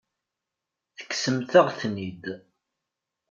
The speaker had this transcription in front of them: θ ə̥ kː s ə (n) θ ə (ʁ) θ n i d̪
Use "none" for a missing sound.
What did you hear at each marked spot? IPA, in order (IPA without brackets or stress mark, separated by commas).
m, ʁ